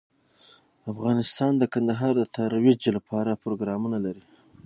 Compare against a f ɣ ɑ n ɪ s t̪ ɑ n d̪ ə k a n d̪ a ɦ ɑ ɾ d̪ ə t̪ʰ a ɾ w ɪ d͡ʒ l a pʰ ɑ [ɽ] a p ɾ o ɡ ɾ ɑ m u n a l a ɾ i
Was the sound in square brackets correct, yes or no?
no